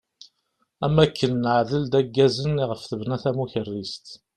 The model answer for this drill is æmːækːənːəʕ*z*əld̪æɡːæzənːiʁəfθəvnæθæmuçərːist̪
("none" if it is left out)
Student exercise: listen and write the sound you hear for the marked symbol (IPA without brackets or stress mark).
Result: ð